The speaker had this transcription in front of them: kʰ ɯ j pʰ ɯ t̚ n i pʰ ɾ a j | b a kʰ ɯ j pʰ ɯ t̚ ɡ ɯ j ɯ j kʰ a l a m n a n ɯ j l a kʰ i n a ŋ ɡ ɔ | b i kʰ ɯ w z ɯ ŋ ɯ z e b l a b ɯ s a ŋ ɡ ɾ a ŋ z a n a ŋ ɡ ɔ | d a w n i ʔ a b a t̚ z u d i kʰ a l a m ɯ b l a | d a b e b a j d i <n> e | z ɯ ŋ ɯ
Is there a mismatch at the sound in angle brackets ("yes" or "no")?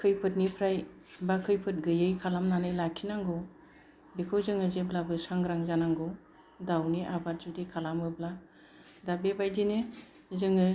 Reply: no